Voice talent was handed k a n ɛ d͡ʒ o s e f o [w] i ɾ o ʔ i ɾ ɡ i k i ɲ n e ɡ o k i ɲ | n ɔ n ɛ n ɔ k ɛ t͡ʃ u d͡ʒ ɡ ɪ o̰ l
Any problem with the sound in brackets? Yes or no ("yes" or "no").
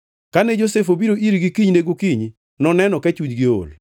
yes